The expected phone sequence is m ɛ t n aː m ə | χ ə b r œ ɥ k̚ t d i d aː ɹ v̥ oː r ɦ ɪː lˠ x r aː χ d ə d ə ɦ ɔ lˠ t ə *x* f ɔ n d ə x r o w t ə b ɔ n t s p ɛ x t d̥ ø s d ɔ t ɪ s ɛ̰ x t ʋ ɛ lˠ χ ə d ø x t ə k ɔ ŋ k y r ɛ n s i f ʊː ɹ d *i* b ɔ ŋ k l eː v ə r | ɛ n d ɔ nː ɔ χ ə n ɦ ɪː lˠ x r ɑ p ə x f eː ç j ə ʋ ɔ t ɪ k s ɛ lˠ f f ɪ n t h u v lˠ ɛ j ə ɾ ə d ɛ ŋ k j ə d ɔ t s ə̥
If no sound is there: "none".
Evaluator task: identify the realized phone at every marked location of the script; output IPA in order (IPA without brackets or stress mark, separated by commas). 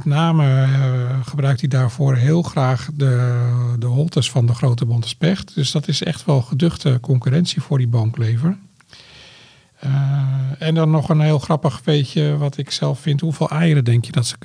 s, i